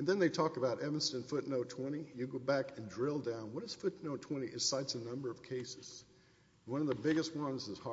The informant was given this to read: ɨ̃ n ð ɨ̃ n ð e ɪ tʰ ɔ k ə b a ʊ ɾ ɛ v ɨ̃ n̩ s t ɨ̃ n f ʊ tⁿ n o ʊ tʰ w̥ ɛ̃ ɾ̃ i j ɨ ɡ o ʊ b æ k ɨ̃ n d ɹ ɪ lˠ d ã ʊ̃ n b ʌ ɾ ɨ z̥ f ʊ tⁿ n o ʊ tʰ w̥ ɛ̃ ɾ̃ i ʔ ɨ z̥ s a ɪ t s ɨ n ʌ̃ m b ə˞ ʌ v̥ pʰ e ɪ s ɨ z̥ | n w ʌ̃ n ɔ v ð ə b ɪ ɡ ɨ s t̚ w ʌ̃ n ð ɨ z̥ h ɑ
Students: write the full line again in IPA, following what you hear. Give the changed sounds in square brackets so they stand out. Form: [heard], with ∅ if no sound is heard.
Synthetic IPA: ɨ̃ n ð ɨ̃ n ð e ɪ tʰ ɔ k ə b a ʊ ɾ ɛ v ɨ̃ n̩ s t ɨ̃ n f ʊ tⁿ n o ʊ tʰ w̥ ɛ̃ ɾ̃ i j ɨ ɡ o ʊ b æ k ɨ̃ n d ɹ ɪ lˠ d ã ʊ̃ n [w] ʌ ɾ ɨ z̥ f ʊ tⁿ n o ʊ tʰ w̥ ɛ̃ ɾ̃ i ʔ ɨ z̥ s a ɪ t s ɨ n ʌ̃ m b ə˞ ʌ v̥ [kʰ] e ɪ s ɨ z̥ | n w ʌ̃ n [ʌ] v ð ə b ɪ ɡ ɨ s t̚ w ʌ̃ n [z] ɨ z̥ h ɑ